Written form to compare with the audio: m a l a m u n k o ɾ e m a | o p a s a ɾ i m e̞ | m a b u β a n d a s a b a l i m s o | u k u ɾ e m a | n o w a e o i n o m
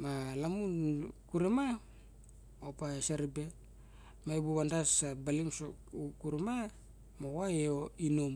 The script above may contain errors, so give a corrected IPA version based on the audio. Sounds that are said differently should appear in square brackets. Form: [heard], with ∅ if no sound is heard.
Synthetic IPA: m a l a m u n k [u] ɾ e m a | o p a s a ɾ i [b] e̞ | m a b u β a n d a s a b a l i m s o | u k u ɾ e m a | [m] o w a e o i n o m